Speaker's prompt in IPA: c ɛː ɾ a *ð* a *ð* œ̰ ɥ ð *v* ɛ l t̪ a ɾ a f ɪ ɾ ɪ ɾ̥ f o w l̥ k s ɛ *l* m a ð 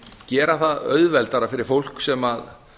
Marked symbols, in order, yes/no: no, yes, yes, no

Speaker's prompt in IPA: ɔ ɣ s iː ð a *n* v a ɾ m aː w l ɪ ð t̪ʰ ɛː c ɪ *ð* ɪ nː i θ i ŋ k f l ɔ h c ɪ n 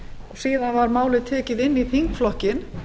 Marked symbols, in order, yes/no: yes, yes

